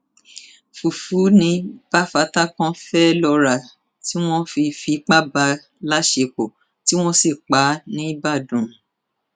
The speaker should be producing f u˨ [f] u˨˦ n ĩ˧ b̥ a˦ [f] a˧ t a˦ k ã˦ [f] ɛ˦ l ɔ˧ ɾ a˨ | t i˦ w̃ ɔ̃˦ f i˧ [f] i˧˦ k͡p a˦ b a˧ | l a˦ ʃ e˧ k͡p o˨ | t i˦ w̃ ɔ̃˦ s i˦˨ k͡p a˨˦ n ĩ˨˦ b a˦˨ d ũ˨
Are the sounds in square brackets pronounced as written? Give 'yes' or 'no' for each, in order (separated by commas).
yes, yes, yes, yes